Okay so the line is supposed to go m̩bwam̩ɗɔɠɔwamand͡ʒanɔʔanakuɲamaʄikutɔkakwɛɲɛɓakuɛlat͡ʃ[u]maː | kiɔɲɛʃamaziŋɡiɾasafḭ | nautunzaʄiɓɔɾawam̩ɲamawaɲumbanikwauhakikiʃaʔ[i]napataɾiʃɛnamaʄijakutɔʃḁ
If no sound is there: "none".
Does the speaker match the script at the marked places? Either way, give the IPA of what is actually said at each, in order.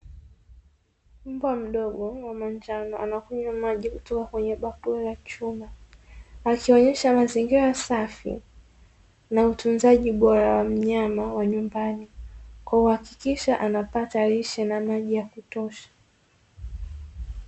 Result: u, a

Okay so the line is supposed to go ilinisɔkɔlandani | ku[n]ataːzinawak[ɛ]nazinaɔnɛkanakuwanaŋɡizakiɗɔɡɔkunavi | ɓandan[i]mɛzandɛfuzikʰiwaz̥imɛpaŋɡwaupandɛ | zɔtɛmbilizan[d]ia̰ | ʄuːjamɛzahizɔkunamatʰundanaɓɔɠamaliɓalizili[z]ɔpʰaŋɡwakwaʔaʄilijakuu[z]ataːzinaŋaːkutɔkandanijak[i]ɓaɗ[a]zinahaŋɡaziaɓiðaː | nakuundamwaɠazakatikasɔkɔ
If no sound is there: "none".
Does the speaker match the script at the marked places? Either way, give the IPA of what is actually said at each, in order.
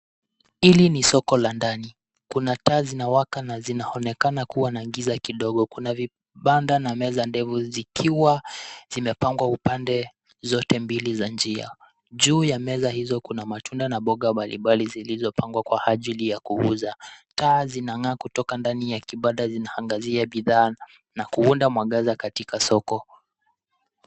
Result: n, a, a, d͡ʒ, z, z, i, a

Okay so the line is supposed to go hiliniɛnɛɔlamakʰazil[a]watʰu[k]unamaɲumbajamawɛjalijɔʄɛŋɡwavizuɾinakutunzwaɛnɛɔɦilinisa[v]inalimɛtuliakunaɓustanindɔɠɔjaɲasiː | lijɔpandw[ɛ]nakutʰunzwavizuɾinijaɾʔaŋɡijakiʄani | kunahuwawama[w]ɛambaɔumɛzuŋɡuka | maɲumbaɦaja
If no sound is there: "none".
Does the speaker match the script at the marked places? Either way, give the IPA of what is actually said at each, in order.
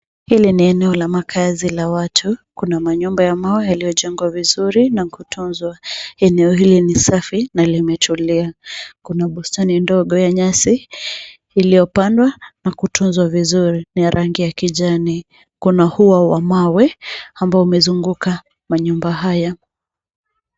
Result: a, k, f, a, w

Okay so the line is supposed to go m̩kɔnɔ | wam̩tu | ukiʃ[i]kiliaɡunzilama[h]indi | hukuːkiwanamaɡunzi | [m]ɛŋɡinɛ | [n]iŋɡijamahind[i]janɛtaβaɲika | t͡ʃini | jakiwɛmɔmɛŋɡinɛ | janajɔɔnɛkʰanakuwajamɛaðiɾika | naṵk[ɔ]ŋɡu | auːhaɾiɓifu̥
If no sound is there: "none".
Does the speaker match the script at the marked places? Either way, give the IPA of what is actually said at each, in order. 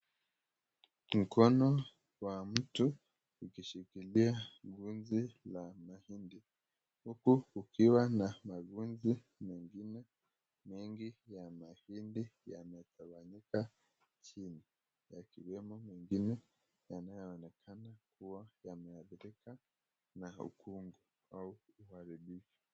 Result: i, h, m, m, i, u

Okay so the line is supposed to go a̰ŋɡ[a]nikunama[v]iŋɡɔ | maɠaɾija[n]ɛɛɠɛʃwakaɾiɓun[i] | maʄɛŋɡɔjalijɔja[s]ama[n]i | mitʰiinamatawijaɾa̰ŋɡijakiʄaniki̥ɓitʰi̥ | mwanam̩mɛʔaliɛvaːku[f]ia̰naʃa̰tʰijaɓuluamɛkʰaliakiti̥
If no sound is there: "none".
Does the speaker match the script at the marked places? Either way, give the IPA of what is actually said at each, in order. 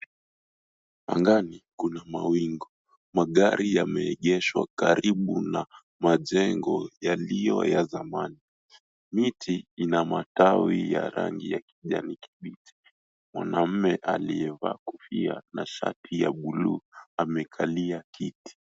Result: a, w, m, a, z, n, f

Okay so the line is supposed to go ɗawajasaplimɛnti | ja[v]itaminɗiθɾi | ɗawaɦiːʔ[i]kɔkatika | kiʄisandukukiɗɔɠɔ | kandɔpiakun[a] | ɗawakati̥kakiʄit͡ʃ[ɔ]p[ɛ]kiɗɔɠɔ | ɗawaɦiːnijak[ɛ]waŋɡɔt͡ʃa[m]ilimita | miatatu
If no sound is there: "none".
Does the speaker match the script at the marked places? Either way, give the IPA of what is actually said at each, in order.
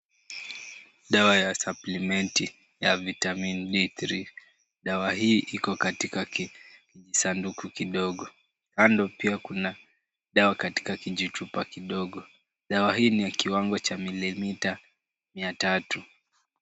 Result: v, i, a, u, a, i, m

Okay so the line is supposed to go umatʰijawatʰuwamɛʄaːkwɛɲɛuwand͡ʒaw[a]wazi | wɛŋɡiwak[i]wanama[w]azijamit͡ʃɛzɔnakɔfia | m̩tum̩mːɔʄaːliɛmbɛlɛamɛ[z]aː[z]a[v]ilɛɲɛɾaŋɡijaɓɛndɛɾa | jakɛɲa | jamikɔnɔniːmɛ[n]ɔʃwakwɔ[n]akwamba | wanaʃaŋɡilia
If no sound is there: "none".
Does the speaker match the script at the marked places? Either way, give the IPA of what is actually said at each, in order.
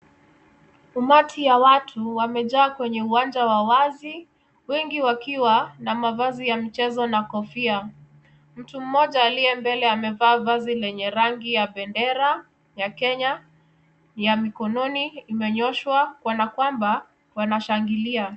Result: a, i, v, v, v, z, ɲ, n

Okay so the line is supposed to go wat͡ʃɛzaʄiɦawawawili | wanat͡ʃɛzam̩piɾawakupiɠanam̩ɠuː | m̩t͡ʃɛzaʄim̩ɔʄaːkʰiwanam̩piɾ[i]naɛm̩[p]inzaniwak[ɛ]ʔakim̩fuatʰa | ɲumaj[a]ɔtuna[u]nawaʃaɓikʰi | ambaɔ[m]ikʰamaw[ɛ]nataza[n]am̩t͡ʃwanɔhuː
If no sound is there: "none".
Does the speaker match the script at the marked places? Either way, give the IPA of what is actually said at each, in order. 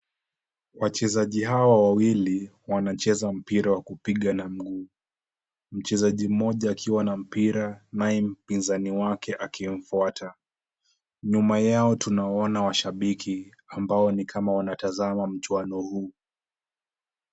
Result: a, p, ɛ, a, ɔ, n, a, m

